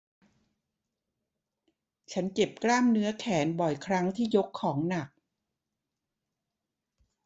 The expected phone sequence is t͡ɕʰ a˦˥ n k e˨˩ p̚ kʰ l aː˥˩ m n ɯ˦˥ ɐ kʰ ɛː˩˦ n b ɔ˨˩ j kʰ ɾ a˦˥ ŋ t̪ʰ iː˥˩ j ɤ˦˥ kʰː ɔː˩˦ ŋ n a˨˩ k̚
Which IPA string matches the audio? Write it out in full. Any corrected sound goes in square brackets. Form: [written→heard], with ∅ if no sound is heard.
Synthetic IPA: t͡ɕʰ a˦˥ n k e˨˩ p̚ [kʰ→k] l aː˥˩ m n ɯ˦˥ ɐ kʰ ɛː˩˦ n b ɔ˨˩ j kʰ ɾ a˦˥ ŋ t̪ʰ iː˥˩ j [ɤ˦˥→o˦˥] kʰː ɔː˩˦ ŋ n a˨˩ k̚